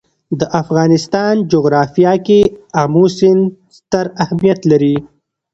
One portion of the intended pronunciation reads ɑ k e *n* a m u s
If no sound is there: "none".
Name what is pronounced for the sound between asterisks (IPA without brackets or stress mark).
none